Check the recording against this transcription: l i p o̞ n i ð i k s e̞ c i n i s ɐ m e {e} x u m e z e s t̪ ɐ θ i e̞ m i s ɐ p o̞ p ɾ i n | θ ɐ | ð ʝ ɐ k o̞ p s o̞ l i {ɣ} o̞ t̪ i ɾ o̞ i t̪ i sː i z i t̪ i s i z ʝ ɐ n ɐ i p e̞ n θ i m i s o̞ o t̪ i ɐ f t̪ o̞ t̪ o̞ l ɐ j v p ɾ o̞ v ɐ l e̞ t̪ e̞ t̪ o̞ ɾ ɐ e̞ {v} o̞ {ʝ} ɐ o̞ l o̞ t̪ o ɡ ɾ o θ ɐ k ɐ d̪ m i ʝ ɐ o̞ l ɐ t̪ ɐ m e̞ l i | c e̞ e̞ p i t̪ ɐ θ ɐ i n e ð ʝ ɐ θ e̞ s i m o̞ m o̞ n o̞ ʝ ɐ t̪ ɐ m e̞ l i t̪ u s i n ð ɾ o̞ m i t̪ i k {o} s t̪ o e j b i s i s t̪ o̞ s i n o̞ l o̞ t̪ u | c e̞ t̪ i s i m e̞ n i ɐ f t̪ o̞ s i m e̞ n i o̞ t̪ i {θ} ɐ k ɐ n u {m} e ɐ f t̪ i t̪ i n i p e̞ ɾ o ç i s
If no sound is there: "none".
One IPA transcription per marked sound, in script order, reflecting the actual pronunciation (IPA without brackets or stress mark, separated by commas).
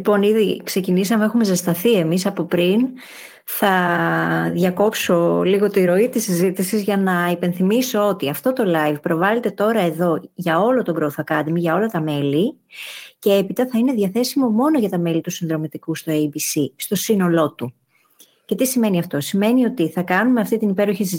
e, ɣ, ð, ʝ, u, θ, m